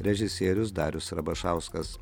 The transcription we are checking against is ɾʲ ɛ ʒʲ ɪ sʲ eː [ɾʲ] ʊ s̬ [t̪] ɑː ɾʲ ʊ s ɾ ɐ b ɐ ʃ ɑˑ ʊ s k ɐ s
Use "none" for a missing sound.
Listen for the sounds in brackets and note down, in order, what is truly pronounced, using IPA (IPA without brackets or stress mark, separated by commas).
ɾʲ, d̪